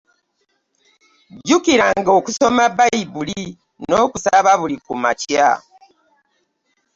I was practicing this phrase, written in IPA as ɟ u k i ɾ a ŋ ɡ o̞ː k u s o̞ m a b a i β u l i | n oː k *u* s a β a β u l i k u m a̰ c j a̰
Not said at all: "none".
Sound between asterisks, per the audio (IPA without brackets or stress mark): u